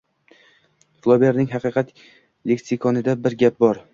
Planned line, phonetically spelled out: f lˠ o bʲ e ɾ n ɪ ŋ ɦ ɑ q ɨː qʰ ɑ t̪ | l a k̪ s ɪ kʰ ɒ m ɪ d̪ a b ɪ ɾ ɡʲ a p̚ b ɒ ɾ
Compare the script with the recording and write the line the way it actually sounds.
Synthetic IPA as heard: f lˠ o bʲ e ɾ n ɪ ŋ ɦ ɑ q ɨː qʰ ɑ t̪ | l e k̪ s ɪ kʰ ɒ n ɪ d̪ a b ɪ ɾ ɡʲ a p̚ b ɒ ɾ